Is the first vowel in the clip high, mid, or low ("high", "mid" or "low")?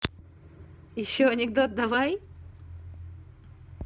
high